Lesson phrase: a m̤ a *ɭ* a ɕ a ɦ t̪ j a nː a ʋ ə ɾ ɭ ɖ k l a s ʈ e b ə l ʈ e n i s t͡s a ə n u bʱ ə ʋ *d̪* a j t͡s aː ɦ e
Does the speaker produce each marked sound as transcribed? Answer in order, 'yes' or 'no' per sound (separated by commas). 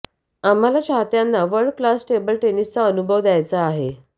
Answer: no, yes